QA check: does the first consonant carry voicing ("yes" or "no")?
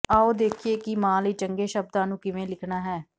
yes